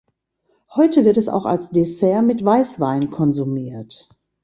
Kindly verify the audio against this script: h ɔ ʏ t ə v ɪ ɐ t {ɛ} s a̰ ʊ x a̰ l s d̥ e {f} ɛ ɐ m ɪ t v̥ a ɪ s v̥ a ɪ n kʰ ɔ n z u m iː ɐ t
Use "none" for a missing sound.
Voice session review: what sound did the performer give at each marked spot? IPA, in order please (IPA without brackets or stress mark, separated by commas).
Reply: ɛ, s